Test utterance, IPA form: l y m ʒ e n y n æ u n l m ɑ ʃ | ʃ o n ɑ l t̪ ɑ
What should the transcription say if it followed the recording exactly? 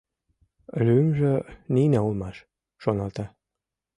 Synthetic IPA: l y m ʒ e n i n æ u l m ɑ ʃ | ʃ o n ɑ l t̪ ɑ